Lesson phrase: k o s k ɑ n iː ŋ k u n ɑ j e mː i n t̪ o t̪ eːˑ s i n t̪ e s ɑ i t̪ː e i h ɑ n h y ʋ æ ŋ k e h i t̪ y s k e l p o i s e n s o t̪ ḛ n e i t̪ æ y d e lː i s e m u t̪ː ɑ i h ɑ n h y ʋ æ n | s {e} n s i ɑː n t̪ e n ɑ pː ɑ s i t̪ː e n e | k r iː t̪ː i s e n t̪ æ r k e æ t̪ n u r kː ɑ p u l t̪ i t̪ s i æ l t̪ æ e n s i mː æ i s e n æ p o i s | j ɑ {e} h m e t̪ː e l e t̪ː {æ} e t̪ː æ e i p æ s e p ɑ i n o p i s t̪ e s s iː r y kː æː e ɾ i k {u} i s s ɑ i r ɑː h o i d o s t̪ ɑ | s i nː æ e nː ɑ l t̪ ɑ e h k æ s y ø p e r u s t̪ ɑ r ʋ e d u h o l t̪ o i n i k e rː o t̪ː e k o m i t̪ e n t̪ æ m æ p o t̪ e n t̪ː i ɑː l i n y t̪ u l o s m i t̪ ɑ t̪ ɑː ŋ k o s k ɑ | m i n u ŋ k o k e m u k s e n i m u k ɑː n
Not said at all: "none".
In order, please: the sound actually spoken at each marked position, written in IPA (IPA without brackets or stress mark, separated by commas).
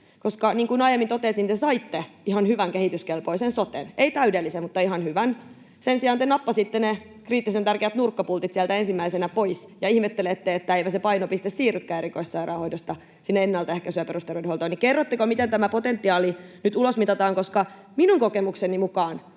e, i, e, o